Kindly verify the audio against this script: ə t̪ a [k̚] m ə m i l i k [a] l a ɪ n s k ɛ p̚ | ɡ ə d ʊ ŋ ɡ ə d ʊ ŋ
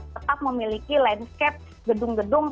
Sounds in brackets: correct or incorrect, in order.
incorrect: p̚, incorrect: i

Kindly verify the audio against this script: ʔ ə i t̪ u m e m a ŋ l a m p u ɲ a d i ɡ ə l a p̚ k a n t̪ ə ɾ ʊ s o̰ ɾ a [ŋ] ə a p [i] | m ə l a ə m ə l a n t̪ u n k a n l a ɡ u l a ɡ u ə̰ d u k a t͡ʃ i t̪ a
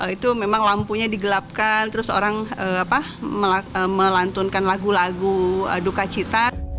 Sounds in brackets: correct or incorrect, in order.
correct, incorrect: a

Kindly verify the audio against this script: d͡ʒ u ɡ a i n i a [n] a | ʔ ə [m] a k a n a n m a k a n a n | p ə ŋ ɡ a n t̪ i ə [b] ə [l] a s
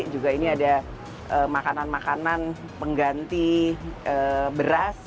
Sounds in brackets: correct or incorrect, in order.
incorrect: d, correct, correct, incorrect: ɾ

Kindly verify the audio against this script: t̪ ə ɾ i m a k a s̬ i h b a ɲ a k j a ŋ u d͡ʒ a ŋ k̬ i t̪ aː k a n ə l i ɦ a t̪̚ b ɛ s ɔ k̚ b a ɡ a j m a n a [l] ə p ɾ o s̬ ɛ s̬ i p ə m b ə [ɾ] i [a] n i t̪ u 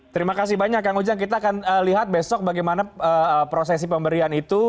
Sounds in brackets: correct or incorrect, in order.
incorrect: none, correct, correct

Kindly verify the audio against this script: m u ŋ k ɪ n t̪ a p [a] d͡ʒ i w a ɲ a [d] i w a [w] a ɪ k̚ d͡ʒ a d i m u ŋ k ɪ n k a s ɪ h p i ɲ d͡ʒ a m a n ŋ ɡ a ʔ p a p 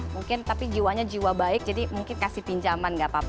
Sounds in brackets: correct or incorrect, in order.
incorrect: i, incorrect: d͡ʒ, incorrect: b

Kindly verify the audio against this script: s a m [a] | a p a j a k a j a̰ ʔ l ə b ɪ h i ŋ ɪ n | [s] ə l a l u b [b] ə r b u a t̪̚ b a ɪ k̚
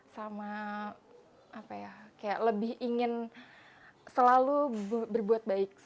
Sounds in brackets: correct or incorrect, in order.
correct, correct, correct

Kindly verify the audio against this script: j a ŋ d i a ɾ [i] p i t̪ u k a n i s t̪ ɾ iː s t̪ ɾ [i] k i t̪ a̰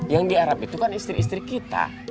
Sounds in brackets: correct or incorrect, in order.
incorrect: a, correct

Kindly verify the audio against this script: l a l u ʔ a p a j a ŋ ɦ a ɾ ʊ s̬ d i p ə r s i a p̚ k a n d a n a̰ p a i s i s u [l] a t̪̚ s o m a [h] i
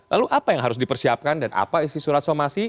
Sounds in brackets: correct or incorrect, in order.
incorrect: ɾ, incorrect: s

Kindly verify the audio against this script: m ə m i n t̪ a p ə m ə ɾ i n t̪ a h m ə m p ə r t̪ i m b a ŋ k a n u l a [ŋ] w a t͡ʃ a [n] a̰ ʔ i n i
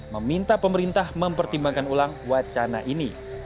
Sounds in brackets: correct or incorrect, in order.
correct, correct

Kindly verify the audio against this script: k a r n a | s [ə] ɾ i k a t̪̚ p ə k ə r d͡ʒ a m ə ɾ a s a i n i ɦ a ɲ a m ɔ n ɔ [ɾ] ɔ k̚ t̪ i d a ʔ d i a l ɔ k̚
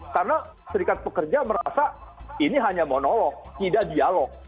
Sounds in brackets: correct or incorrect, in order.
correct, incorrect: l

